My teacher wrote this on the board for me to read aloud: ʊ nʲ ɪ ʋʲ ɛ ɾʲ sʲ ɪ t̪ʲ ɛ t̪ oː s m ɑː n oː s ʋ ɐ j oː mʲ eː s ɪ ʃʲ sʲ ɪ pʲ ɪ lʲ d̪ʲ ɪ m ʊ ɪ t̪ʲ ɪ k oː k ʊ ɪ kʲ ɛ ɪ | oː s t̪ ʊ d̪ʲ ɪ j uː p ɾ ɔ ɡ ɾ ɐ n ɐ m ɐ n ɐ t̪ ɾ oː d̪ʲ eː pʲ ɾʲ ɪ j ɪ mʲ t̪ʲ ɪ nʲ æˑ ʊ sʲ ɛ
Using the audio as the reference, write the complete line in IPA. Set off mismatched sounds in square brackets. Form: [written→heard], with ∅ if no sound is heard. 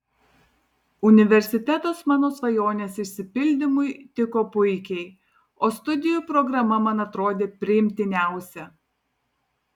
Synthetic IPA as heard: ʊ nʲ ɪ ʋʲ ɛ ɾʲ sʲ ɪ t̪ʲ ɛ t̪ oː s m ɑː n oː s ʋ ɐ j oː [mʲ→nʲ] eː s ɪ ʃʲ sʲ ɪ pʲ ɪ lʲ d̪ʲ ɪ m ʊ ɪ t̪ʲ ɪ k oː [k→p] ʊ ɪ kʲ ɛ ɪ | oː s t̪ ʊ d̪ʲ ɪ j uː p ɾ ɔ ɡ ɾ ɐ [n→m] ɐ m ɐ n ɐ t̪ ɾ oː d̪ʲ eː pʲ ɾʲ ɪ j ɪ mʲ t̪ʲ ɪ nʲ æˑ ʊ sʲ ɛ